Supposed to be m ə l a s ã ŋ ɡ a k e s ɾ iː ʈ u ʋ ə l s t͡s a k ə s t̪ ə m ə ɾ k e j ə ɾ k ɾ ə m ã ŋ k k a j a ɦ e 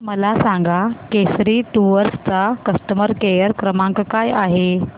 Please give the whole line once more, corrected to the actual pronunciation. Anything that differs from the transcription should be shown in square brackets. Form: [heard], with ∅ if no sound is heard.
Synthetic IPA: m ə l a s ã ŋ ɡ a k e s ɾ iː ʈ u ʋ ə [ɾ] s t͡s a k ə s t̪ ə m ə ɾ k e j ə ɾ k ɾ ə m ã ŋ k k a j a ɦ e